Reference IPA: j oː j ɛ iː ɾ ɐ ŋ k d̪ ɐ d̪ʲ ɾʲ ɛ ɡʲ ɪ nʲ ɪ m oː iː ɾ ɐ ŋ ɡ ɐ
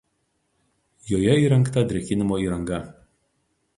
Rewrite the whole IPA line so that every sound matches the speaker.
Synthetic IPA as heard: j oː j ɛ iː ɾ ɐ ŋ k t̪ ɐ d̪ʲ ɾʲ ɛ kʲ ɪ nʲ ɪ m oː iː ɾ ɐ ŋ ɡ ɐ